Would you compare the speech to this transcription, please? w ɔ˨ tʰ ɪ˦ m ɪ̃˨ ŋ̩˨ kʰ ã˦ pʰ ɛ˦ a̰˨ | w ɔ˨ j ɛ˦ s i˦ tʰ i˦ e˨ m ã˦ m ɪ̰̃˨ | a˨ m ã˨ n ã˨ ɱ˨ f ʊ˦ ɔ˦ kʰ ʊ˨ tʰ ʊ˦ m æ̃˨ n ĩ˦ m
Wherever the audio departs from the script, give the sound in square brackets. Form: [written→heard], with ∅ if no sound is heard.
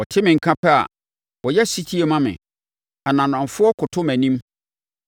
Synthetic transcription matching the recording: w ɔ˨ tʰ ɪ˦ m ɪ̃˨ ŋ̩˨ kʰ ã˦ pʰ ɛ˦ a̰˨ | w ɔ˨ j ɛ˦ s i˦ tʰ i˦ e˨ m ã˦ m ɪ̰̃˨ | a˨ [m→n] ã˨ n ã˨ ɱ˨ f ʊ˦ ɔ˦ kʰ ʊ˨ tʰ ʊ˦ m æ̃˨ n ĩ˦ m